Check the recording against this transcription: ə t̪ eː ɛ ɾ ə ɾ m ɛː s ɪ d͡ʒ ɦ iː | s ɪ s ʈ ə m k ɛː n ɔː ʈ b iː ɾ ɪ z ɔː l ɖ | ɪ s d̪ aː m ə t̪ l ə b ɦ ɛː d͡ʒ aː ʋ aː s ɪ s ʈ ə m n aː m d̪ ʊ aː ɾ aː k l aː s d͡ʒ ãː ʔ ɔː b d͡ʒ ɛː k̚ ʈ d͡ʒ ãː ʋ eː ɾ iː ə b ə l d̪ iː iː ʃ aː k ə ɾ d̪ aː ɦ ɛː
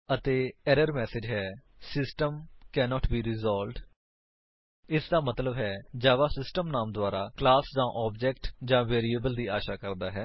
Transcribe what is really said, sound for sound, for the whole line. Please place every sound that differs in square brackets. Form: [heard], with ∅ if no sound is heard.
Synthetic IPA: ə t̪ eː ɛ ɾ ə ɾ m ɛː s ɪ d͡ʒ ɦ [ɛː] | s ɪ s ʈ ə m k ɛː n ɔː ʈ b iː ɾ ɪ z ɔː l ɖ | ɪ s d̪ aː m ə t̪ l ə b ɦ ɛː d͡ʒ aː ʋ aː s ɪ s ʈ ə m n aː m d̪ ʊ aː ɾ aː k l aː s d͡ʒ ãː ʔ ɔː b d͡ʒ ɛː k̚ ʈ d͡ʒ ãː ʋ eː ɾ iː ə b ə l d̪ iː [aː] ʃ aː k ə ɾ d̪ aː ɦ ɛː